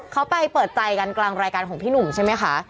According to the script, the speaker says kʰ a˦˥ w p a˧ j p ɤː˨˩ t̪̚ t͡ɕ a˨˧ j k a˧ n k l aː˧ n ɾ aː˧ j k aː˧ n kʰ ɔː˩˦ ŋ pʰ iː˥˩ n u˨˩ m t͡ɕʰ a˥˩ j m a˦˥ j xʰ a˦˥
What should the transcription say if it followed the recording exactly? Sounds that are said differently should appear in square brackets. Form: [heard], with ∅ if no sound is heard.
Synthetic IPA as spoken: kʰ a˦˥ w p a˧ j p ɤː˨˩ t̪̚ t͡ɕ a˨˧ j k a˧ n k l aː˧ [ŋ] ɾ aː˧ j k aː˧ n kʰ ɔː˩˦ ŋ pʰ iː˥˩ n u˨˩ m t͡ɕʰ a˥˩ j m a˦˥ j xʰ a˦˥